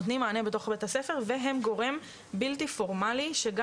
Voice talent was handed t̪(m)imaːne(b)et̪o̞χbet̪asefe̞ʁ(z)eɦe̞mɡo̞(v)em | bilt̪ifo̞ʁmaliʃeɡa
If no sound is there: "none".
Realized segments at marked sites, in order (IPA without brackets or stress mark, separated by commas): n, b, v, ʁ